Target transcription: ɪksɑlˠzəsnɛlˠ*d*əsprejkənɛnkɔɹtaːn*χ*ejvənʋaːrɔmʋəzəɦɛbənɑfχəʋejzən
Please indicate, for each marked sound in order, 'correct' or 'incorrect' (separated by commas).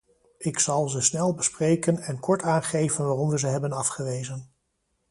incorrect, correct